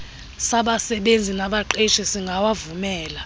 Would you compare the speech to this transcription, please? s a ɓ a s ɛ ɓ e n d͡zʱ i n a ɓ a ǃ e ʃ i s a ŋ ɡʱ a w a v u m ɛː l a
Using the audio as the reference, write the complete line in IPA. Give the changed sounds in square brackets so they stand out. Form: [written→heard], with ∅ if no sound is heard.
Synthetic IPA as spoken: s a ɓ a s ɛ ɓ e n d͡zʱ i n a ɓ a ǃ e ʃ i s [a→i] ŋ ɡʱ a w a v u m ɛː l a

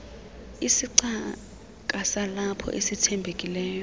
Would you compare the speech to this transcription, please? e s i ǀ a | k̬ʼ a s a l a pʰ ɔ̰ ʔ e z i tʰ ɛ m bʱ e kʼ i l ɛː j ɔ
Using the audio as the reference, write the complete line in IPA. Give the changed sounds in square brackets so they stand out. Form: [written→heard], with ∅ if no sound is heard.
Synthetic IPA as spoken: [e→i] s i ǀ a | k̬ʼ a s a l a pʰ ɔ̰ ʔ e [z→s] i tʰ ɛ m bʱ e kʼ i l ɛː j ɔ

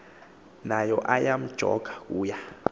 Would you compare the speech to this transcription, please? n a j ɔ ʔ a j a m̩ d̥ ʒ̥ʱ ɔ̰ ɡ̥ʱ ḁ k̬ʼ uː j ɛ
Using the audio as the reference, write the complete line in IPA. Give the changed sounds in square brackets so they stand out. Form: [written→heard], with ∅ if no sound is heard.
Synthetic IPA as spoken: n a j ɔ ʔ a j a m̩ d̥ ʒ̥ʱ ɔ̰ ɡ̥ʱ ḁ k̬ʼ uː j [ɛ→a]

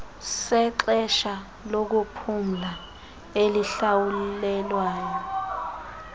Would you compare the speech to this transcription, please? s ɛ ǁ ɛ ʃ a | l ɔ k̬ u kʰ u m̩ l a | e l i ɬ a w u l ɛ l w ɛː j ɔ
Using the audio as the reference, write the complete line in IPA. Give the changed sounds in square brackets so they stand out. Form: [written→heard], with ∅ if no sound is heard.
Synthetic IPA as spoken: s ɛ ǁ ɛ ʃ a | l [ɔ→o] k̬ u [kʰ→pʰ] u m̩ l a | e l i ɬ a w u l ɛ l w [ɛː→aː] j ɔ

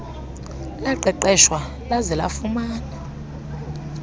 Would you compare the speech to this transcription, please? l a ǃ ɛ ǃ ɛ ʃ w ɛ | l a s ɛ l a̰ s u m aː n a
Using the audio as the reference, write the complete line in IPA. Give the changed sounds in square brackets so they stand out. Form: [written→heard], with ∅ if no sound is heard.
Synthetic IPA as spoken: l a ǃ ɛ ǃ ɛ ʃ w [ɛ→a] | l a [s→z] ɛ l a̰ [s→f] u m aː n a

